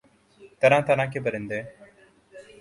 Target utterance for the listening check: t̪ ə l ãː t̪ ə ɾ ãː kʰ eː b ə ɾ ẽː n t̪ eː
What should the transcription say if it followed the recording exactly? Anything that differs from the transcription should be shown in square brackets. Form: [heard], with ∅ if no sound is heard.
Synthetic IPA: t̪ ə [ɾ] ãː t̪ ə ɾ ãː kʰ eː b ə ɾ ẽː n [d̪] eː